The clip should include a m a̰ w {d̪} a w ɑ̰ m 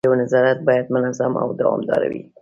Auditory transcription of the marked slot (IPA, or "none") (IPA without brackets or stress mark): d̪